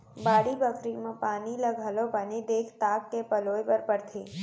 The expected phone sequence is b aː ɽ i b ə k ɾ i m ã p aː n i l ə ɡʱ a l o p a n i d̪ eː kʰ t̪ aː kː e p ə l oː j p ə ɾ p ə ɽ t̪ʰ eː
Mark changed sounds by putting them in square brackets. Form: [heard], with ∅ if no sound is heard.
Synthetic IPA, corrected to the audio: b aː ɽ i b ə k ɾ i m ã p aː n i l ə ɡʱ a l o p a n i d̪ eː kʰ t̪ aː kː e p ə l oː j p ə ɾ p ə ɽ t̪ʰ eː